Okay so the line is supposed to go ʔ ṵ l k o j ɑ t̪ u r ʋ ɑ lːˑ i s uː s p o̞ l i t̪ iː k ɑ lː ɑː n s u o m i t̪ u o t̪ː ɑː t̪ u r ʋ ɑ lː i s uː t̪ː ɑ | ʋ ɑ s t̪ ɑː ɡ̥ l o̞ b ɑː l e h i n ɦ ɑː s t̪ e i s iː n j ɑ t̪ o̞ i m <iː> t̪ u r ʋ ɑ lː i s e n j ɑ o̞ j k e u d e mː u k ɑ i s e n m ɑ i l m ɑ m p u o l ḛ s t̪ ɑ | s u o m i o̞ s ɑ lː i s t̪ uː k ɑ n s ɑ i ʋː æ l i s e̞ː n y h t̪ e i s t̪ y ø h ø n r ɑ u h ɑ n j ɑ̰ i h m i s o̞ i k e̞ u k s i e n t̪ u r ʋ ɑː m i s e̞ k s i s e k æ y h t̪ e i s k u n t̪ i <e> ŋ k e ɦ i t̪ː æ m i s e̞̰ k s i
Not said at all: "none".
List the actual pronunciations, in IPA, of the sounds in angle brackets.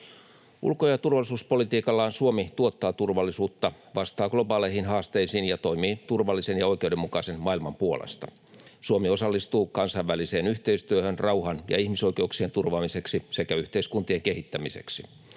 iː, e

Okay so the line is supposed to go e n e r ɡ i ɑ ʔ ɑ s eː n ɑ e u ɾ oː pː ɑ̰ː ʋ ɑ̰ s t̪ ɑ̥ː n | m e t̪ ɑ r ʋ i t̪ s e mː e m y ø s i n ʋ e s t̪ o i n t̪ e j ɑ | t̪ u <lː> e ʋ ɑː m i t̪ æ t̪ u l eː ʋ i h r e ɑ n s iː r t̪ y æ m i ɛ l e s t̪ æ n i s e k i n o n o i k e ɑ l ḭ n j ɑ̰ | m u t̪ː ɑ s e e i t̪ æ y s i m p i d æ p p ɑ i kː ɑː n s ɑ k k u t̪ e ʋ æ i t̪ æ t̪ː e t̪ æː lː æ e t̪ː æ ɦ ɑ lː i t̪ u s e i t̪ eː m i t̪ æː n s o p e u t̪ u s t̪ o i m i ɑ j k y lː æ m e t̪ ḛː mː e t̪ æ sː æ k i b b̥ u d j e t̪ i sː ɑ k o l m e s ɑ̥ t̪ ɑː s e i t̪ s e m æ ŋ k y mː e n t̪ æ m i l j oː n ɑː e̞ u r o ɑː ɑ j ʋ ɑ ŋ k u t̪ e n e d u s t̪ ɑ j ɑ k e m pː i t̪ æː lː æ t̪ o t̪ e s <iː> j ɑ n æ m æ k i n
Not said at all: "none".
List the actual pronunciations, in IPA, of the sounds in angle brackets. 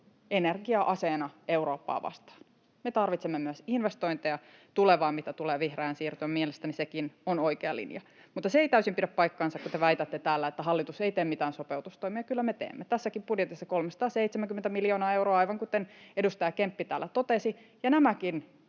l, i

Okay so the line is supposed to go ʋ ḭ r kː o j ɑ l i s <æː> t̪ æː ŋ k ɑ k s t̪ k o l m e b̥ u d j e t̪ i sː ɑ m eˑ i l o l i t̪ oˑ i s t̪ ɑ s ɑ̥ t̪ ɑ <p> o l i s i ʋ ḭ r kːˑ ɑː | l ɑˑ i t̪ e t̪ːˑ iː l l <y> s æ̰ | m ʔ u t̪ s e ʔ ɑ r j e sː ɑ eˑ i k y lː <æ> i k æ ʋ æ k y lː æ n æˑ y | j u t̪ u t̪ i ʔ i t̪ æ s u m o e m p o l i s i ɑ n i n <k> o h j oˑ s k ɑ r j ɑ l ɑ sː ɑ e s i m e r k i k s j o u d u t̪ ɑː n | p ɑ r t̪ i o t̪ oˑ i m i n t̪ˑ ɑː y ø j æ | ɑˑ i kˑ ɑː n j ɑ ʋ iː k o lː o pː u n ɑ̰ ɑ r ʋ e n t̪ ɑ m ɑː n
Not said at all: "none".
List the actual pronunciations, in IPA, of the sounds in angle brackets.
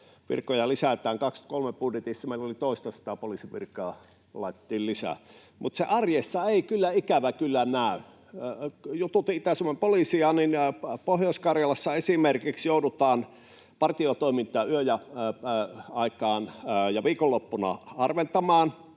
æ, p, i, æ, p

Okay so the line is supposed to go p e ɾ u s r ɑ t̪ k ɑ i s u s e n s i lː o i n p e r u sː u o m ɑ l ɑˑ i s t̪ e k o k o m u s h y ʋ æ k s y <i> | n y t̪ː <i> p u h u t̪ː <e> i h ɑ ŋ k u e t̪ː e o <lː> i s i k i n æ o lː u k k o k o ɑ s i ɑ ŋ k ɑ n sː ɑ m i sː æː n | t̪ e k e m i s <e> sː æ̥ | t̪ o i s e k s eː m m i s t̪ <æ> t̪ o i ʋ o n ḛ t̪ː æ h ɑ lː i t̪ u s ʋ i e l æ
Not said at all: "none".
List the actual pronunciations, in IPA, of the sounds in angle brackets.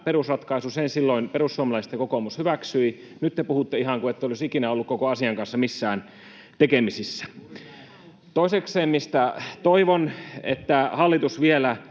i, e, e, l, i, æ

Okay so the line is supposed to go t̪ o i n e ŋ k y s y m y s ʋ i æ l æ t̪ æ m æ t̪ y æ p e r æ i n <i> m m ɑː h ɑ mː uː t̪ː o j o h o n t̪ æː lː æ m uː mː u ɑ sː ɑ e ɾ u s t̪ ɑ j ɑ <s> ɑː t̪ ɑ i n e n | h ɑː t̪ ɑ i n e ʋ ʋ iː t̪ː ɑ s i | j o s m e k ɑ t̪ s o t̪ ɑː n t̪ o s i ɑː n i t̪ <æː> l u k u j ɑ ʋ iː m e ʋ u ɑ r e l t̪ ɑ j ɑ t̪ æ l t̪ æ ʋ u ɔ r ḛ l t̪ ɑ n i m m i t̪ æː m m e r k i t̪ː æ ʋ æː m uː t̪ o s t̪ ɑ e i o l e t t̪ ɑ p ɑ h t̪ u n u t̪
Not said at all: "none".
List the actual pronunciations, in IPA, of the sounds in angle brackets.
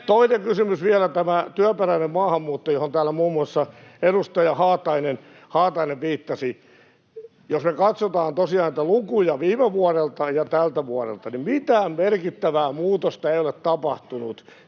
e, h, æ

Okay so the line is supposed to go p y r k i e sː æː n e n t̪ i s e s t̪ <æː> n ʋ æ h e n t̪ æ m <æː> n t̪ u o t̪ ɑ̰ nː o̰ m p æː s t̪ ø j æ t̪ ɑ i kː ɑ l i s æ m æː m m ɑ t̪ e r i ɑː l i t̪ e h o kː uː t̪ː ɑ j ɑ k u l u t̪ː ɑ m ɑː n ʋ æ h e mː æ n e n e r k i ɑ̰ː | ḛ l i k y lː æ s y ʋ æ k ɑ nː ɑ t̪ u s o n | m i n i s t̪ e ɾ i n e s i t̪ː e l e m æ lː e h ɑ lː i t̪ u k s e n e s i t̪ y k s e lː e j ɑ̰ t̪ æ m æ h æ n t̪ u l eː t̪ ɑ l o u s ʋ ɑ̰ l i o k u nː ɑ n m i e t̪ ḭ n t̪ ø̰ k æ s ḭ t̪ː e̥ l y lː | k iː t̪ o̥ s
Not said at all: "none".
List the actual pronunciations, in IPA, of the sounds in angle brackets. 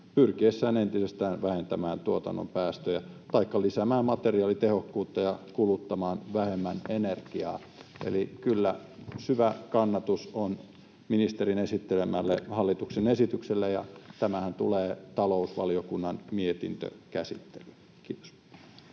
æː, æː

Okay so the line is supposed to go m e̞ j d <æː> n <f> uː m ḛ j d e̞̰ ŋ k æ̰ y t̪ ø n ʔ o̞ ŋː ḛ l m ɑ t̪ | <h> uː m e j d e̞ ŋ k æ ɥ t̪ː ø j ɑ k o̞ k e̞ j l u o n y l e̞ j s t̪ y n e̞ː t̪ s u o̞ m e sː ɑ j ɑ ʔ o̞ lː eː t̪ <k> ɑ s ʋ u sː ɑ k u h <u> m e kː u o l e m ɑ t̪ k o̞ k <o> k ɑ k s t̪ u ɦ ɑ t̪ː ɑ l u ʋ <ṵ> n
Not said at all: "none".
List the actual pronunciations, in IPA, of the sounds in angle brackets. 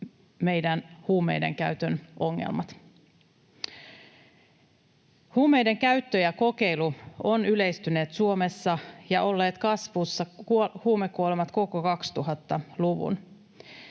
æ, h, h, k, uː, o, ṵ

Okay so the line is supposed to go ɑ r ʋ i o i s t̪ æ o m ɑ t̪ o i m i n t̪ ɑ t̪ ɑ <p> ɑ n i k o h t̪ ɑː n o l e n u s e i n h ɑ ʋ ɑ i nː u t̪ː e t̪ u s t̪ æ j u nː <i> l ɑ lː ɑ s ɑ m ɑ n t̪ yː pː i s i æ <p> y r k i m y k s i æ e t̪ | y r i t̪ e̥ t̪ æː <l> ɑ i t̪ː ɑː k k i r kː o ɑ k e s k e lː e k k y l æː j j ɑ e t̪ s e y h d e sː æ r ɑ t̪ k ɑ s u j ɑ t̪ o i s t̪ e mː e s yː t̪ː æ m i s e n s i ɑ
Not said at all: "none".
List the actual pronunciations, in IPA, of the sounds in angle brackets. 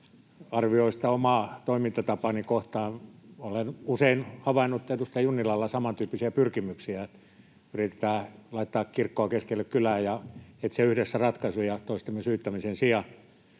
p, i, p, l

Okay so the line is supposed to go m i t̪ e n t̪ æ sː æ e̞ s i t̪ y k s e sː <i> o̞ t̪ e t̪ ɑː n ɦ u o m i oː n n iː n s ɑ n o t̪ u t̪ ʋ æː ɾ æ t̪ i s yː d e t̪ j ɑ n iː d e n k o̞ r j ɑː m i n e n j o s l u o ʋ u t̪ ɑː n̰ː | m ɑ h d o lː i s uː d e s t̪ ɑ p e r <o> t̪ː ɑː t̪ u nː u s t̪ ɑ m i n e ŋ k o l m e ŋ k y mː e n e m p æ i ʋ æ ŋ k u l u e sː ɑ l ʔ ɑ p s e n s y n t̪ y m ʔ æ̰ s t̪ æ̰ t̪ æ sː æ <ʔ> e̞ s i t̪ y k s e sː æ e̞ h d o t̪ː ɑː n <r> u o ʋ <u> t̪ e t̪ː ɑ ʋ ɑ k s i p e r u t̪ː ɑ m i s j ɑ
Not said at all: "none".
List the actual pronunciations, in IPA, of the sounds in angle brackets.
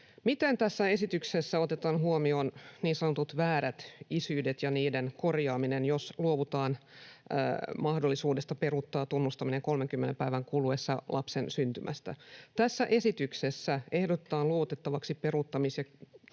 æ, u, ʔ, l, u

